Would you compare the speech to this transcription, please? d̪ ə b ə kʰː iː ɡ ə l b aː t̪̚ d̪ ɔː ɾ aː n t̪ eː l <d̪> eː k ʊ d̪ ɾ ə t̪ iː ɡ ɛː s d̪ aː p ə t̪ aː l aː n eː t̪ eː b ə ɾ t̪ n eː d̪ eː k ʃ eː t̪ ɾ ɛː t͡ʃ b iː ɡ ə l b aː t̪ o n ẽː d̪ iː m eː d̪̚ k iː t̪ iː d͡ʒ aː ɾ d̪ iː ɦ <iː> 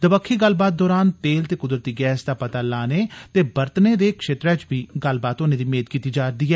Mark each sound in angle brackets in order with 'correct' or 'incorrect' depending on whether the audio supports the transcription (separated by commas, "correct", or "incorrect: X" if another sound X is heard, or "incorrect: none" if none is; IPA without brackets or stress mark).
incorrect: t̪, incorrect: ɛː